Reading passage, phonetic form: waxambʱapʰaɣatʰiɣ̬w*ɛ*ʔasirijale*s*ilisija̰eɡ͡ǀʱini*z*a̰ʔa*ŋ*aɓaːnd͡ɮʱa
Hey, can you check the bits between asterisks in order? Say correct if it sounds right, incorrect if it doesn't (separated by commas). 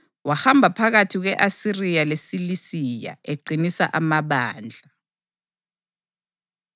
correct, correct, incorrect, incorrect